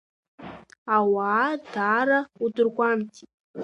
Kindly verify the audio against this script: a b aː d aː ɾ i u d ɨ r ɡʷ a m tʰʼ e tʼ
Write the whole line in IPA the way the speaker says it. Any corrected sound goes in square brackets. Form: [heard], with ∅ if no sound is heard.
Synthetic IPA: a [w] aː d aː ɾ [a] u d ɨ r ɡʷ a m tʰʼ [i] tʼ

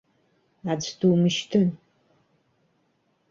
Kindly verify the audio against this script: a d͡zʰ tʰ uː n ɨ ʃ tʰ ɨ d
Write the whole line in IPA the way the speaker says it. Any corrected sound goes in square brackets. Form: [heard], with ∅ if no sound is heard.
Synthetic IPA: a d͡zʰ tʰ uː [m] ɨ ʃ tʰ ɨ [n]

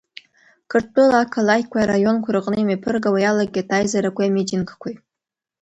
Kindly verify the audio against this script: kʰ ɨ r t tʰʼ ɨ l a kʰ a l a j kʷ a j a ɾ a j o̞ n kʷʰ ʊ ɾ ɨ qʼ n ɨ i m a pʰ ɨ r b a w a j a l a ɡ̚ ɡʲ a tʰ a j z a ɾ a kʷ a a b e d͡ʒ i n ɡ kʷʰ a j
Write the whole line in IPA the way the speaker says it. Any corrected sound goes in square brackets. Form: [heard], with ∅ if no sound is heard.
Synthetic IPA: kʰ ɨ r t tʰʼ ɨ l a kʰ a l a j kʷ a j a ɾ a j o̞ n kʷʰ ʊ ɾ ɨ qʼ n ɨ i m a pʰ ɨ r [ɡ] a w a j a l a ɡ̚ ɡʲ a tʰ a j z a ɾ a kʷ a a [m] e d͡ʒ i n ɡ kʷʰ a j

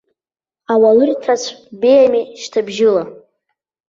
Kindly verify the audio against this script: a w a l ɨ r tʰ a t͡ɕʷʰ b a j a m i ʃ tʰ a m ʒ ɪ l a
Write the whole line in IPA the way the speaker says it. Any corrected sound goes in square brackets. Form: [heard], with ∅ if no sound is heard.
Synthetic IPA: a w a l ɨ r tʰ a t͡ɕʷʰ b [e] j a m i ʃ tʰ a [b] ʒ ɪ l a

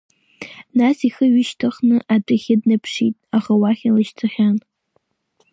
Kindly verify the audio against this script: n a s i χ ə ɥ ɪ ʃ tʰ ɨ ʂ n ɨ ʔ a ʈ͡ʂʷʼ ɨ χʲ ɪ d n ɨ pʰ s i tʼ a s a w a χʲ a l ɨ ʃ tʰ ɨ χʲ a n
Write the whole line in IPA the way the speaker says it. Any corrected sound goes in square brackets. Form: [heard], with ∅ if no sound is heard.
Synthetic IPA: n a s i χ ə ɥ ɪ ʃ tʰ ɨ [χ] n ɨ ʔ a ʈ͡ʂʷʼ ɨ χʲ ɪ d n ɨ pʰ [ʂ] i tʼ a [χ] a w a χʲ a l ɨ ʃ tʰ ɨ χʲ a n

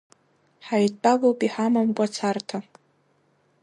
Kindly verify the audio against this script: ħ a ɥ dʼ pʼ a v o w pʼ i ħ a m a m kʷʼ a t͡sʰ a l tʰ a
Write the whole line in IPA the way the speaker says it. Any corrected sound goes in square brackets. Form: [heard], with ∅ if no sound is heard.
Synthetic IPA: ħ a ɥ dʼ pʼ a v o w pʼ i ħ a m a m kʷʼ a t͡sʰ a [r] tʰ a

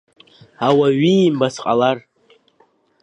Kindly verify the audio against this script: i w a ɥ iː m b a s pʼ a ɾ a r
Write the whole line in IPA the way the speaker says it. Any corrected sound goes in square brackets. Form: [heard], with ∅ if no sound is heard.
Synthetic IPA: [a] w a ɥ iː m b a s [qʼ] a [l] a r

